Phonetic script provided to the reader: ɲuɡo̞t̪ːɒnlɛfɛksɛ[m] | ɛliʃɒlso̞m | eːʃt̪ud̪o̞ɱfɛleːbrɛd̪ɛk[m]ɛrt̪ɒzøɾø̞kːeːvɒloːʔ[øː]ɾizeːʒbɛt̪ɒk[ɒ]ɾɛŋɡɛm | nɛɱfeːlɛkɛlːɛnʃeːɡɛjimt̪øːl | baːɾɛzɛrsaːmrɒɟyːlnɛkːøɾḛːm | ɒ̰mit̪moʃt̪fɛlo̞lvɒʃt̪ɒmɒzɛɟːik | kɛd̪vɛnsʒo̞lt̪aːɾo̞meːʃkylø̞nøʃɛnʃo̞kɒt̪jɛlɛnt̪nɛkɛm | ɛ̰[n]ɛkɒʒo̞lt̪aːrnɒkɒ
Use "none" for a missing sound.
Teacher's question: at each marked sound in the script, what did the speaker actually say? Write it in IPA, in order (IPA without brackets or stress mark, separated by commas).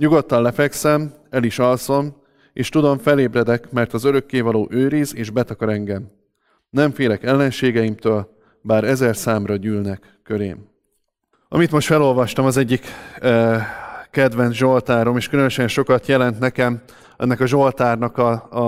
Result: m, m, øː, ɒ, nː